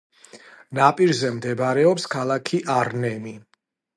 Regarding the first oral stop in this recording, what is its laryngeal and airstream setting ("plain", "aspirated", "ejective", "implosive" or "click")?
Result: ejective